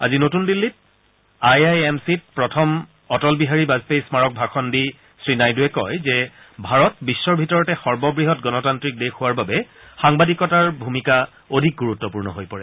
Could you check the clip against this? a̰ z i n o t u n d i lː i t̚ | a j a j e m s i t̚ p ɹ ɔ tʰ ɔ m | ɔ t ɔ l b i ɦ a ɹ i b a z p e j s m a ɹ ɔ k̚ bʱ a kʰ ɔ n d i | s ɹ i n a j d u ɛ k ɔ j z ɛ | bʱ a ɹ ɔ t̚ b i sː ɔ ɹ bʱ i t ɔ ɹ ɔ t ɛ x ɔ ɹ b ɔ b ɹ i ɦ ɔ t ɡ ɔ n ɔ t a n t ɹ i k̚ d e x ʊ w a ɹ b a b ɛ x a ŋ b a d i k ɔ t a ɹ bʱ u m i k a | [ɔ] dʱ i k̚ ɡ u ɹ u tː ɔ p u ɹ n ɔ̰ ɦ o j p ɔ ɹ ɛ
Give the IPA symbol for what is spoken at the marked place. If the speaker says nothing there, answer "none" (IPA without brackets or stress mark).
o